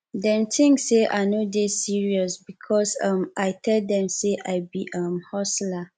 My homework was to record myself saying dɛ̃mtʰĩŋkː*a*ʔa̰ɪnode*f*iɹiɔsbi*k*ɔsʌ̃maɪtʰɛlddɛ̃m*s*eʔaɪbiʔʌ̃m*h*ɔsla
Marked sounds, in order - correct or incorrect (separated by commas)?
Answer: incorrect, incorrect, incorrect, correct, correct